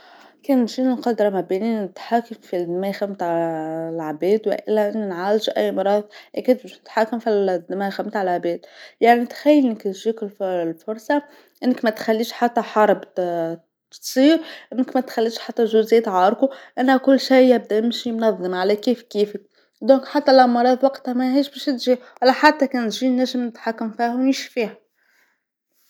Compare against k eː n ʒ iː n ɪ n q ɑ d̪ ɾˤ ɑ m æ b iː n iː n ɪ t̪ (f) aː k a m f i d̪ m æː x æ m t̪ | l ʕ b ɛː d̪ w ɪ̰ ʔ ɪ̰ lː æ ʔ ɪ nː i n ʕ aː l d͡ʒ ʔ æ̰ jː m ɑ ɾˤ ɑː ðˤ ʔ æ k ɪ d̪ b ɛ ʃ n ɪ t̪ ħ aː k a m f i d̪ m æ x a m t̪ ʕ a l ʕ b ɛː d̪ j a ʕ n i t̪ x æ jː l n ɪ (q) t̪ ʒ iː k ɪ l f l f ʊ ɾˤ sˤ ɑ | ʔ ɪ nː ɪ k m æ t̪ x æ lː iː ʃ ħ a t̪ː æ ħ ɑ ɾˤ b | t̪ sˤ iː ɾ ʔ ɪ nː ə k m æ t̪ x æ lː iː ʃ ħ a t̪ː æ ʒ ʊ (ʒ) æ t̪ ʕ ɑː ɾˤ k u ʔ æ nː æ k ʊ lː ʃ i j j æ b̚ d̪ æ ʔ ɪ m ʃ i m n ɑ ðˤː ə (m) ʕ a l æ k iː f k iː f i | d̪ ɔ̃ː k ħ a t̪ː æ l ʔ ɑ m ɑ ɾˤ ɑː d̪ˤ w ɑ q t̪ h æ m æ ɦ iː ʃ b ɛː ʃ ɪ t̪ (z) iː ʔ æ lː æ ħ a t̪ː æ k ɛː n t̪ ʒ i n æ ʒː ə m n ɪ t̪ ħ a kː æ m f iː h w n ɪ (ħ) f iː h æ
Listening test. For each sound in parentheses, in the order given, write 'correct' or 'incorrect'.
incorrect: ħ, incorrect: k, incorrect: z, correct, incorrect: ʒ, incorrect: ʃ

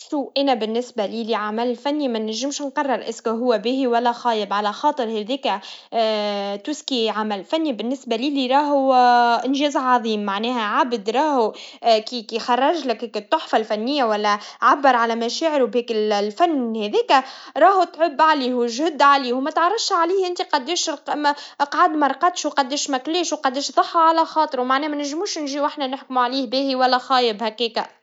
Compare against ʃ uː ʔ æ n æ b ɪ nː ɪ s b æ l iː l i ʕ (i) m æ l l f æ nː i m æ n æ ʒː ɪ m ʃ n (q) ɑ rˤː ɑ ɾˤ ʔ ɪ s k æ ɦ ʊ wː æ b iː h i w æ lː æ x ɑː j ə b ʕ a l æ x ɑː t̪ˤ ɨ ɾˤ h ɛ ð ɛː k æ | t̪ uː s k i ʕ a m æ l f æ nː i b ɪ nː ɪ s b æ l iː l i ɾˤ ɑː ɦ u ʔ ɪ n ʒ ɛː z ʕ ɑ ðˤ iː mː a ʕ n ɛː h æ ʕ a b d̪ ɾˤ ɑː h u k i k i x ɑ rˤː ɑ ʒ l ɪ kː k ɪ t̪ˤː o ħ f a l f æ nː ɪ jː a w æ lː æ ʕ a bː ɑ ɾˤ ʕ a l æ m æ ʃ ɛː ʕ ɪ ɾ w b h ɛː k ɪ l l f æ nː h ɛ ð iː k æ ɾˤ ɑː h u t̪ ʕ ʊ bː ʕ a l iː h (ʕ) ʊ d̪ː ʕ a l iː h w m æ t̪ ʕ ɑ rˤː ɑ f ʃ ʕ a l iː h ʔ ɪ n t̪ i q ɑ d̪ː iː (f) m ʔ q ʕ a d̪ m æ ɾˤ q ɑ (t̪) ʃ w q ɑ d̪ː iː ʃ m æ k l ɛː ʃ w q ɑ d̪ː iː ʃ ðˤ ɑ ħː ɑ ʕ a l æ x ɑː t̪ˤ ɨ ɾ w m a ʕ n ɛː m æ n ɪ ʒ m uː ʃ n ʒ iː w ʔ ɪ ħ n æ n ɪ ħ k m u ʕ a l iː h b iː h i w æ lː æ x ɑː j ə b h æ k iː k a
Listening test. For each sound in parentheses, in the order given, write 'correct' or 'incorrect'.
incorrect: a, correct, incorrect: ʒ, incorrect: ʃ, correct

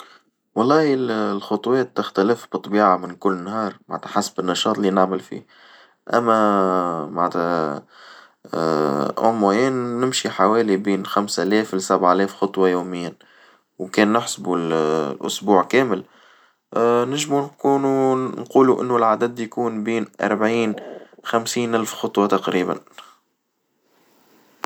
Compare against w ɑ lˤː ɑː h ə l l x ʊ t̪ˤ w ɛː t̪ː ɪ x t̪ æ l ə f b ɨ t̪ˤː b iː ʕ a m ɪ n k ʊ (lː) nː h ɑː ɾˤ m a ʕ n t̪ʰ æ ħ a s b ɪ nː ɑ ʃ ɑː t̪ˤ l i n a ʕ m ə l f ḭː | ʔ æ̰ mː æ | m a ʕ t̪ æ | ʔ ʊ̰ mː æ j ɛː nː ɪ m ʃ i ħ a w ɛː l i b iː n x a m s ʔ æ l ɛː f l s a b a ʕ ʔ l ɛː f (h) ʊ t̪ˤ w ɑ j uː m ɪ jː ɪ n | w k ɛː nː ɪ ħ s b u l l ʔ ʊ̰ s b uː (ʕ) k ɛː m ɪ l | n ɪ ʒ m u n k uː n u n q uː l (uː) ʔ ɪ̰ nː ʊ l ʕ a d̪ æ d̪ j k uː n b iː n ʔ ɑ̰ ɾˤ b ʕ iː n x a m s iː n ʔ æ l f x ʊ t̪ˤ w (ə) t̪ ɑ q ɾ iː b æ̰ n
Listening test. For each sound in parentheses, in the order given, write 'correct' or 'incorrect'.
correct, incorrect: x, correct, incorrect: u, incorrect: ɑ

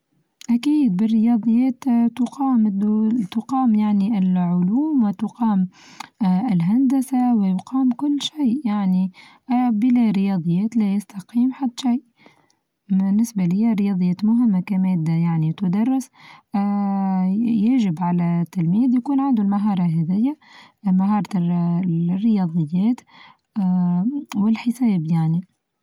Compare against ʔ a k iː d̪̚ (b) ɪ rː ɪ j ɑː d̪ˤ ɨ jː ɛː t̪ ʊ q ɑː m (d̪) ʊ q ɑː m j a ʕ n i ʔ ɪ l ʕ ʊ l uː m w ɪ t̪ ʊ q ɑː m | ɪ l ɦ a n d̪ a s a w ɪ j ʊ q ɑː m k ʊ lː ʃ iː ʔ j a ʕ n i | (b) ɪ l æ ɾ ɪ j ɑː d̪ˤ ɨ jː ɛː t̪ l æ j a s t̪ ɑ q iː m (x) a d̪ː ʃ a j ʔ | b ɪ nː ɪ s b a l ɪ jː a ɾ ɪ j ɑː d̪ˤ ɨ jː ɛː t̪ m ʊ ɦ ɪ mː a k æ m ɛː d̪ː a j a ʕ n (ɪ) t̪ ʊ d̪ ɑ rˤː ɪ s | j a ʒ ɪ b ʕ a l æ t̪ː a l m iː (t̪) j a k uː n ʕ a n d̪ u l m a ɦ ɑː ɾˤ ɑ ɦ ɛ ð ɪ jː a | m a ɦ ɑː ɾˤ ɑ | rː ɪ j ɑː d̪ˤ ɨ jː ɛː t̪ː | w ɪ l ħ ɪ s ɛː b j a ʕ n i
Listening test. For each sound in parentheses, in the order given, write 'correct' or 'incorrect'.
correct, incorrect: t̪, correct, incorrect: ħ, incorrect: i, incorrect: d̪

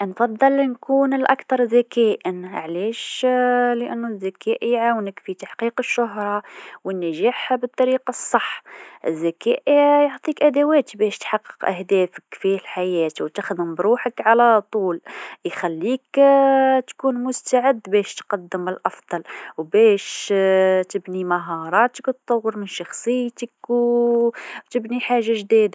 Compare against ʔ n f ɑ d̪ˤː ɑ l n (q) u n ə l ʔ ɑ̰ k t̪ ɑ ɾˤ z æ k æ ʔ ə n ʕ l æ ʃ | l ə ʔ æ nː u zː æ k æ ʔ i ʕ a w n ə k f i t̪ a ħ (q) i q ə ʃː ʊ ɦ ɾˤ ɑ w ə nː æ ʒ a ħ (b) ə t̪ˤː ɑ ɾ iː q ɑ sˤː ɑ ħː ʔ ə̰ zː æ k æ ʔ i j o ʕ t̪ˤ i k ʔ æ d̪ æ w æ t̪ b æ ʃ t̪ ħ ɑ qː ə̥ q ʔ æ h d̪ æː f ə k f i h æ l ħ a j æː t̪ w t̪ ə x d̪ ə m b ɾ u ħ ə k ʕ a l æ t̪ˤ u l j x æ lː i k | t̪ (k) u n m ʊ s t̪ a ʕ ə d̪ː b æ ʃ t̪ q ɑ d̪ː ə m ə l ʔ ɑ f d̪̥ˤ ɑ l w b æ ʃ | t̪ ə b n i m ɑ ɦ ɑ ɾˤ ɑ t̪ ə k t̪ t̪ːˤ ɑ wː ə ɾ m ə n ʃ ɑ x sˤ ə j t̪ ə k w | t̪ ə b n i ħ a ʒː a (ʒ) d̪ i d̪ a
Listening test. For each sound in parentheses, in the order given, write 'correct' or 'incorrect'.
incorrect: k, correct, correct, correct, correct

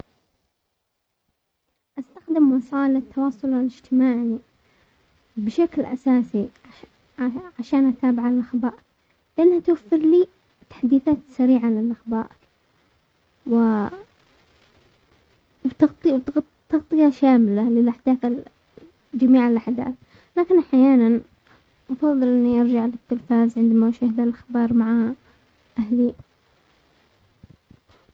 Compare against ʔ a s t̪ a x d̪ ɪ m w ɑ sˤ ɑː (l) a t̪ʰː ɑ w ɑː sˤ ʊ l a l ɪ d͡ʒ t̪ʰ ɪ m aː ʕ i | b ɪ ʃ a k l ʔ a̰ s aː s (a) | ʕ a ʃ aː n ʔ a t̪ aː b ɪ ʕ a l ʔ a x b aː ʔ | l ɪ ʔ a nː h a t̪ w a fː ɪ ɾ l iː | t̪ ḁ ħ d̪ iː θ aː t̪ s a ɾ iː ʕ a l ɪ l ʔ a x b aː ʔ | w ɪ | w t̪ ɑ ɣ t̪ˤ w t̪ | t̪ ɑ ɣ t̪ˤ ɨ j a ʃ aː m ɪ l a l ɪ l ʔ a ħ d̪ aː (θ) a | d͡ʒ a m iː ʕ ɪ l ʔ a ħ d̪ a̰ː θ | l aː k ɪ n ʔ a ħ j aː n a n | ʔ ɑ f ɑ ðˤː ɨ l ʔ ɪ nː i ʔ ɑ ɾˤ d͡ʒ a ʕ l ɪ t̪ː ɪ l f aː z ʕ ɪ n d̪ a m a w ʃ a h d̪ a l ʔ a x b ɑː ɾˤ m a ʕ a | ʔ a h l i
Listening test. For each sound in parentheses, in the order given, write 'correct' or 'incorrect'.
correct, incorrect: i, correct

